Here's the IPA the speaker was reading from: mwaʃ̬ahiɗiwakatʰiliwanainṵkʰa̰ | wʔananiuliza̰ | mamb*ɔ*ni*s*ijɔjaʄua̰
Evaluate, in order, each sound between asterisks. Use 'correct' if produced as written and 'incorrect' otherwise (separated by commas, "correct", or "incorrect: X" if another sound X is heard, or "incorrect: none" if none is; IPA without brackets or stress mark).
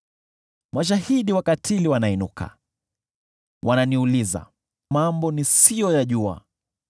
correct, correct